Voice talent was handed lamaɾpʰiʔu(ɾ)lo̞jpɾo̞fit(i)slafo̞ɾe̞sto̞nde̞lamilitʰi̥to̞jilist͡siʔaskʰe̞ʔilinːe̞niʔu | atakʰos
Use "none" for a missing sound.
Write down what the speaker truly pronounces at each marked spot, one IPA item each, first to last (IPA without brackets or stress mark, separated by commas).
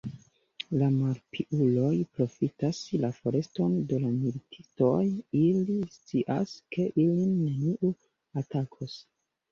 none, a